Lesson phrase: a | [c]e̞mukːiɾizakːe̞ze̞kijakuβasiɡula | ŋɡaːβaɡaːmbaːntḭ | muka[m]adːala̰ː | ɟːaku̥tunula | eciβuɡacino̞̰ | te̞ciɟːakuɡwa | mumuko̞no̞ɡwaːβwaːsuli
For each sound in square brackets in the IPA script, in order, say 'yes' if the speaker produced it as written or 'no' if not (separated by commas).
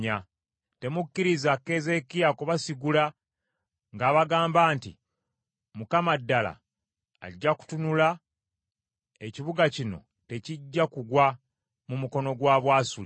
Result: no, yes